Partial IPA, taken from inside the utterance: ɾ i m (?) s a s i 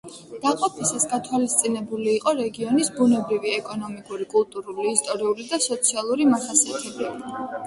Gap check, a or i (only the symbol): a